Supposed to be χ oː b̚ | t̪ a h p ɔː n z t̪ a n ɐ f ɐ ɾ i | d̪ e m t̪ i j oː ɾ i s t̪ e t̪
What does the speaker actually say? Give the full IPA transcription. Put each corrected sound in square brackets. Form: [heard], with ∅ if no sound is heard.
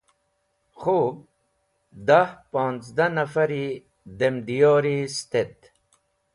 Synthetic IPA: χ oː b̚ | [d̪] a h p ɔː n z [d̪] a n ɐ f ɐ ɾ i | d̪ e m [d̪] i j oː ɾ i s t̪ e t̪